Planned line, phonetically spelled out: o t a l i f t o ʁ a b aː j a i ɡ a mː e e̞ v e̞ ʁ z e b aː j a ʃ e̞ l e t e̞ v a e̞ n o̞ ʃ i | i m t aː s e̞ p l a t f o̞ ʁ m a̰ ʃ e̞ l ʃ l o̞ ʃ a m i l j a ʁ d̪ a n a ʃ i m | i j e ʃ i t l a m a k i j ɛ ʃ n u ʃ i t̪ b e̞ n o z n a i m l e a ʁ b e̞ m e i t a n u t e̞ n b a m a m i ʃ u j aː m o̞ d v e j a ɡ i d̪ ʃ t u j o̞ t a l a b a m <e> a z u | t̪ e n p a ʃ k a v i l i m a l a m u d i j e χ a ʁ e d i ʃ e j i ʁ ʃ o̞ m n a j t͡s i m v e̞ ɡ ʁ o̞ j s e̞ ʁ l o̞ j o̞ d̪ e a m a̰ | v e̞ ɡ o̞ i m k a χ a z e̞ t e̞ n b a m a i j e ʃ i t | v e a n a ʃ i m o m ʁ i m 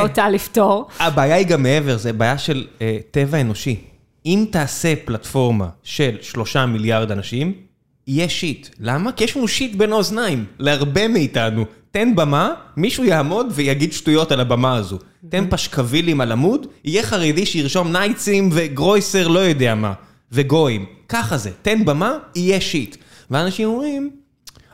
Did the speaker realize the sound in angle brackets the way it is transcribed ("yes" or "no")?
no